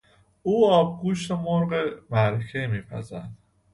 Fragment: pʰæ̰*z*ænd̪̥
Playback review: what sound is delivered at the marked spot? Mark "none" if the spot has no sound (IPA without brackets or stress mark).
z